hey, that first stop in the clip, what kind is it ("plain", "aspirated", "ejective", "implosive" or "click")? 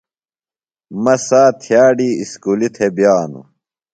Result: aspirated